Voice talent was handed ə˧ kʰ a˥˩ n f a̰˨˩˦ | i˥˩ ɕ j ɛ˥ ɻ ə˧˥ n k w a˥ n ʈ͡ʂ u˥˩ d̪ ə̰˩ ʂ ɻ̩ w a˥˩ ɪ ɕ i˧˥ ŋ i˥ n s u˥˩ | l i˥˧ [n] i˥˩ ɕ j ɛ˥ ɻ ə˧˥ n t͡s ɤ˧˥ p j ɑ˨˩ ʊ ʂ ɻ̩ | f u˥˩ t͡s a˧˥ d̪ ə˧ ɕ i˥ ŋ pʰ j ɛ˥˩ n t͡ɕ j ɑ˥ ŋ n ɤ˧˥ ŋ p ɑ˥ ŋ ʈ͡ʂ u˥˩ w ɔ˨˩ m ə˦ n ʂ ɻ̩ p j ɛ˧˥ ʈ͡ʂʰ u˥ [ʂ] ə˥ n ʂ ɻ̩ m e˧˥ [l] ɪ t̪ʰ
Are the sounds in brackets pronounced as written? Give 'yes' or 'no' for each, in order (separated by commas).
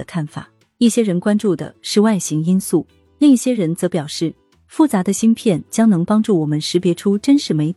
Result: no, no, no